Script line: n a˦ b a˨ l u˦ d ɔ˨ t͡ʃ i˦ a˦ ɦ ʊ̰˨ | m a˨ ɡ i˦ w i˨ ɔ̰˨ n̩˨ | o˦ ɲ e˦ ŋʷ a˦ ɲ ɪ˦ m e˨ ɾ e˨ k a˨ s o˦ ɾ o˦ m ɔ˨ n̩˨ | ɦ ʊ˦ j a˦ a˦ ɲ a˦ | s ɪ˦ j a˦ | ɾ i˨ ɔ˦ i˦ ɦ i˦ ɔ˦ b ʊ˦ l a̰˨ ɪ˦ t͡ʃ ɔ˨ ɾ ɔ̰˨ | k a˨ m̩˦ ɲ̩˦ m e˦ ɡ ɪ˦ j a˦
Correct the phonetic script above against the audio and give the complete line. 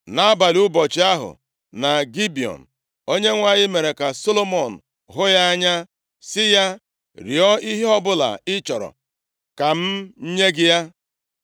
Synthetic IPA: n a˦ b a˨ l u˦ b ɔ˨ t͡ʃ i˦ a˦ ɦ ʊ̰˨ | n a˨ ɡ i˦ b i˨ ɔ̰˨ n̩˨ | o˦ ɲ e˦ ŋʷ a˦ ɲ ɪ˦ m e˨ ɾ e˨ k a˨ s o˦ l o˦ m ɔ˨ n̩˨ | ɦ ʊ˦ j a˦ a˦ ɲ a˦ | s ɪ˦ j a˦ | ɾ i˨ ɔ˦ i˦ ɦ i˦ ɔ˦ b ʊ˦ l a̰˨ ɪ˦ t͡ʃ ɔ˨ ɾ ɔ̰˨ | k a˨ m̩˦ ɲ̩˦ ɲ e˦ ɡ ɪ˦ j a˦

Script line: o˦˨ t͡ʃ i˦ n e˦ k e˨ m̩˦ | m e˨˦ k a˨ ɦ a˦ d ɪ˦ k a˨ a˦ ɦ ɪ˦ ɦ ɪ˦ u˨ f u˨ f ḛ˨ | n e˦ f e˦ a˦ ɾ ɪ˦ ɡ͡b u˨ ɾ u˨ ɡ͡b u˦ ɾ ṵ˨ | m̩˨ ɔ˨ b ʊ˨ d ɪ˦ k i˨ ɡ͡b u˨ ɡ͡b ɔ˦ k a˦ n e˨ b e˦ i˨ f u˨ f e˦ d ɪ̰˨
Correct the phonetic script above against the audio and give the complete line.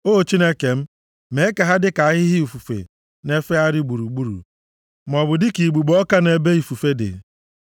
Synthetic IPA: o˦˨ t͡ʃ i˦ n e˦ k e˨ m̩˦ | m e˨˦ k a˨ ɦ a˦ d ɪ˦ k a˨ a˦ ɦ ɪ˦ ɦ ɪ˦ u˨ f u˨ f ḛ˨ | n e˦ f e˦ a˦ ɾ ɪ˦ ɡ͡b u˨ ɾ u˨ ɡ͡b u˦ ɾ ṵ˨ | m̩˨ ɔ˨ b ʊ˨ d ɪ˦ k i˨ ɡ͡b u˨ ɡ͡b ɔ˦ k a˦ n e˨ b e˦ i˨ f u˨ f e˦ d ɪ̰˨

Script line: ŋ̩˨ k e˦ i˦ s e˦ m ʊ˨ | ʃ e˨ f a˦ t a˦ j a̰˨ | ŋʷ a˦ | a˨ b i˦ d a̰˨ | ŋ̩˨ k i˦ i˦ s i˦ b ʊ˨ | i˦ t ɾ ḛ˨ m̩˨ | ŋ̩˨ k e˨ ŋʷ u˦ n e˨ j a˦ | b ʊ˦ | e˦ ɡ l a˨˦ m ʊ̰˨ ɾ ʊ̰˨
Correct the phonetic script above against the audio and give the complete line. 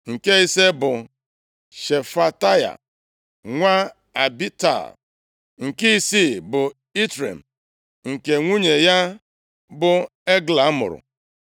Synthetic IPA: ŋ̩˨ k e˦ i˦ s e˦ b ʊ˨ | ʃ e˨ f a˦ t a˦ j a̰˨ | ŋʷ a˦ | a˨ b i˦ t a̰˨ | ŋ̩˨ k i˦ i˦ s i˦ b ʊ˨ | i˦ t ɾ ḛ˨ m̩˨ | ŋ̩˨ k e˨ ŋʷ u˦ ɲ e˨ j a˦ | b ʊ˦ | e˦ ɡ l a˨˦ m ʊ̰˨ ɾ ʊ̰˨

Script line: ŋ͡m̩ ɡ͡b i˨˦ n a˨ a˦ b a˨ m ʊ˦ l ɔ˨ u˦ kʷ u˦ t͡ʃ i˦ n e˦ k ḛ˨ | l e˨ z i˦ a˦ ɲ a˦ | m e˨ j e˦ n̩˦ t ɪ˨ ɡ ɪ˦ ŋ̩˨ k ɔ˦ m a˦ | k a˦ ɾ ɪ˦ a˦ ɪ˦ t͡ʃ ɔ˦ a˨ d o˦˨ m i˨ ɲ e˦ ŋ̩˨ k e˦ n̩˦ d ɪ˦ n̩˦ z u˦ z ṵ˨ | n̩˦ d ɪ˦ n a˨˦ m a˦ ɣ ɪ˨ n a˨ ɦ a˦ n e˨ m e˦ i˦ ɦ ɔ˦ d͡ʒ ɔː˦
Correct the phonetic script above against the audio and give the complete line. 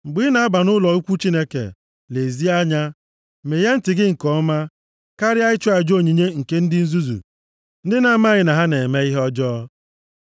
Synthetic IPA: ŋ͡m̩ ɡ͡b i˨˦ n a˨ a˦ b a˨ n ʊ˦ l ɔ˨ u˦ kʷ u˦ t͡ʃ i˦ n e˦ k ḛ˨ | l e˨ z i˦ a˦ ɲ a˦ | m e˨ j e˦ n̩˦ t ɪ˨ ɡ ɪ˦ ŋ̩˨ k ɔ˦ m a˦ | k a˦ ɾ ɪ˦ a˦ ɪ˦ t͡ʃ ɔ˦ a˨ d͡ʒ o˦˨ ɲ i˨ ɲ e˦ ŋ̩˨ k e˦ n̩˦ d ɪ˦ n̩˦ z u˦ z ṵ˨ | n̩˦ d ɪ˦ n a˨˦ m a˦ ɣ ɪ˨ n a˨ ɦ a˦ n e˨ m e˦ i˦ ɦ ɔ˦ d͡ʒ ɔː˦

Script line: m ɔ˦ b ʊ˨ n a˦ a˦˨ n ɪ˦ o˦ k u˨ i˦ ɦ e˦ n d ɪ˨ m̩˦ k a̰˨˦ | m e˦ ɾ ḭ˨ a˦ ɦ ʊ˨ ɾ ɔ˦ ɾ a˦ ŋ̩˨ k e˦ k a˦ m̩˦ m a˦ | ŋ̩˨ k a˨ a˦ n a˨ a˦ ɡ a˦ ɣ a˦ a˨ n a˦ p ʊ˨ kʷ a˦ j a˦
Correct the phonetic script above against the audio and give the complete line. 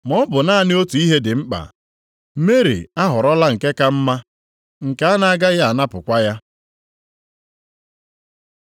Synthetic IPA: m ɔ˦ b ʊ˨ n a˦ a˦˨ n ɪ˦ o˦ t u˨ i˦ ɦ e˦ d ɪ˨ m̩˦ k͡p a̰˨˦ | m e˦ ɾ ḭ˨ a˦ ɦ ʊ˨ ɾ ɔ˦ l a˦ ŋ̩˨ k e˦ k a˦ m̩˦ m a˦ | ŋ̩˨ k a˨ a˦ n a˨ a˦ ɡ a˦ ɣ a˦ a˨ n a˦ p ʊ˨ kʷ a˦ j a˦

